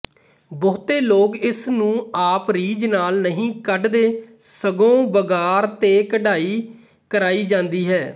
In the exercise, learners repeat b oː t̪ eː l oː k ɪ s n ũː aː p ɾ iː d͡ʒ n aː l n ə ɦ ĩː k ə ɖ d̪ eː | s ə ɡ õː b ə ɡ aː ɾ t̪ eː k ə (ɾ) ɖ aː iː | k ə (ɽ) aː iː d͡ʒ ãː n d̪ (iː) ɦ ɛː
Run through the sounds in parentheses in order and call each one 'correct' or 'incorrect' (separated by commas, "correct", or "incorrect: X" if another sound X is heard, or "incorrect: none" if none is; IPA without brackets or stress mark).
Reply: incorrect: none, incorrect: ɾ, correct